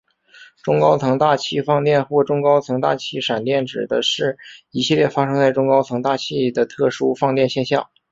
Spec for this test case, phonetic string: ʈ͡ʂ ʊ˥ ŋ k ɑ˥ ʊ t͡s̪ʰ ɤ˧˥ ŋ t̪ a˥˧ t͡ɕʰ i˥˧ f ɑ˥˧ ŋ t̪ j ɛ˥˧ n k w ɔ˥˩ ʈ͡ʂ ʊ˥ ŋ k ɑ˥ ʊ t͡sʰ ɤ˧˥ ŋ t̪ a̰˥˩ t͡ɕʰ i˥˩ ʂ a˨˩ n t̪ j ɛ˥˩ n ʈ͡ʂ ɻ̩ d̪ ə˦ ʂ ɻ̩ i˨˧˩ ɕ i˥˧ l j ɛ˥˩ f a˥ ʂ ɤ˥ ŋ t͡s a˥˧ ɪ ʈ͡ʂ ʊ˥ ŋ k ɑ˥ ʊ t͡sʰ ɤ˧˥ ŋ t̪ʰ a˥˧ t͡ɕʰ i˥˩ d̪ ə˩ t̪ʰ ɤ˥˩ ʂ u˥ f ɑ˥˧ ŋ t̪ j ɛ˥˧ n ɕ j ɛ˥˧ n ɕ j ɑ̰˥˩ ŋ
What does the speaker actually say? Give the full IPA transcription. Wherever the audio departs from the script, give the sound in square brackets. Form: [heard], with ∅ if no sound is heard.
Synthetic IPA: ʈ͡ʂ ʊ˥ ŋ k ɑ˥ ʊ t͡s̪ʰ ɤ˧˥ ŋ t̪ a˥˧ t͡ɕʰ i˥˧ f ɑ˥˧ ŋ t̪ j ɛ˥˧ n [x] w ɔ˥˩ ʈ͡ʂ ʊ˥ ŋ k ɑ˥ ʊ t͡sʰ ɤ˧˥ ŋ t̪ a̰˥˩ t͡ɕʰ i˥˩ ʂ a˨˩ n t̪ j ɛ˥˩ n ʈ͡ʂ ɻ̩ d̪ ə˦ ʂ ɻ̩ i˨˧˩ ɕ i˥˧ l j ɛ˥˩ f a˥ ʂ ɤ˥ ŋ t͡s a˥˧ ɪ ʈ͡ʂ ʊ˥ ŋ k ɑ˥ ʊ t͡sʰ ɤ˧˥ ŋ [t̪] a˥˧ t͡ɕʰ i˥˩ d̪ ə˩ t̪ʰ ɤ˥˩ ʂ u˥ f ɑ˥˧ ŋ t̪ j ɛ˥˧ n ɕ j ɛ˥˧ n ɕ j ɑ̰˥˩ ŋ